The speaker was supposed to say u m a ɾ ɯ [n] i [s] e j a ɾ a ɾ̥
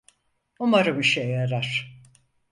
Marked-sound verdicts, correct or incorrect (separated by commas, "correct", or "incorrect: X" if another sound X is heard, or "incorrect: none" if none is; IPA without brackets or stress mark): incorrect: m, incorrect: ʃ